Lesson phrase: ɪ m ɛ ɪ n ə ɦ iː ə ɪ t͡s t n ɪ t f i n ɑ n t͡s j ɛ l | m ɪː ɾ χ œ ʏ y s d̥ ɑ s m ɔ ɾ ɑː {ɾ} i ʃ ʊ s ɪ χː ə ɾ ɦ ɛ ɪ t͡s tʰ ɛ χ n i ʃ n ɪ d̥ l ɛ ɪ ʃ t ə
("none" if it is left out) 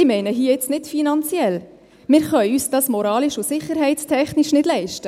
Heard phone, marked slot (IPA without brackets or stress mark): l